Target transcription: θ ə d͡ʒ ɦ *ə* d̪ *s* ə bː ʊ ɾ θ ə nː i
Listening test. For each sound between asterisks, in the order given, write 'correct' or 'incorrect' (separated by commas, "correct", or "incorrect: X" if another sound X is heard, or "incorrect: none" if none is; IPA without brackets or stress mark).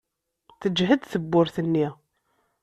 correct, incorrect: θ